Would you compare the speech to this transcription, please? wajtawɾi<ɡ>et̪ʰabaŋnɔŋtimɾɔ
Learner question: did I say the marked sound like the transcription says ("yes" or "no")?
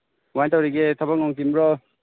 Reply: yes